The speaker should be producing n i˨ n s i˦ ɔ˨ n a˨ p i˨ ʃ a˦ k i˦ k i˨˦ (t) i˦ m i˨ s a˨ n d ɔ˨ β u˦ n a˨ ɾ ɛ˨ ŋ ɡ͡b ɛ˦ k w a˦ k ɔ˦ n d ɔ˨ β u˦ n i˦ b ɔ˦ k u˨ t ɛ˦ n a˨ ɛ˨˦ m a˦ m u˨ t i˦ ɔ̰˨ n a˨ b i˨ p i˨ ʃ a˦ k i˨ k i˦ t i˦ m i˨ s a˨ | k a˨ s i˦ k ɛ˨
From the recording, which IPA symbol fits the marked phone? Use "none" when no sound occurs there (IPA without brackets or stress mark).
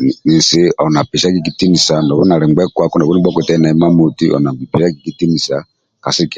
t